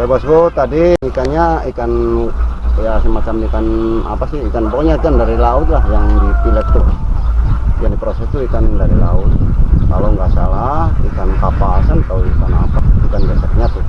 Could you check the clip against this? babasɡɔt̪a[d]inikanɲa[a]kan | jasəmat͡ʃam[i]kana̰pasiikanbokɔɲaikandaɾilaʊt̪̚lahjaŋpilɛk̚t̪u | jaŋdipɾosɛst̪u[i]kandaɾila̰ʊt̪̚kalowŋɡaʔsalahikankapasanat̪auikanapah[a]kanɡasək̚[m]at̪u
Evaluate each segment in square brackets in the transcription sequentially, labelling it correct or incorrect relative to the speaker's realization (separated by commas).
correct, incorrect, correct, correct, incorrect, incorrect